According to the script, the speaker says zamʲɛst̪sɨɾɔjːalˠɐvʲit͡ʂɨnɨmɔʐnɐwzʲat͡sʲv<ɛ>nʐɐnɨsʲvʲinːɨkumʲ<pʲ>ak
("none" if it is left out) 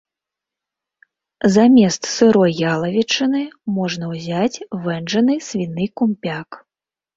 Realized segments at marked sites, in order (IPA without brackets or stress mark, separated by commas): ɛ, pʲ